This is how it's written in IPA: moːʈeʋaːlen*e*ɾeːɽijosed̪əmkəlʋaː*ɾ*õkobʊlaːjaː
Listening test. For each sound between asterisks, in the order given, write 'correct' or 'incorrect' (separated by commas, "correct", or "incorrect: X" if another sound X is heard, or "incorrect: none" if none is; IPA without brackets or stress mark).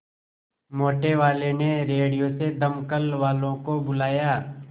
correct, incorrect: l